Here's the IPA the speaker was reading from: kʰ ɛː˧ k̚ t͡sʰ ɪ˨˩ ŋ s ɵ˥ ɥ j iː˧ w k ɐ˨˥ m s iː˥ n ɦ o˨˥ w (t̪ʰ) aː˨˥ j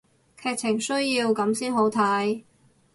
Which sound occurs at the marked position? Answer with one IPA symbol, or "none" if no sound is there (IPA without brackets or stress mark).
t̪ʰ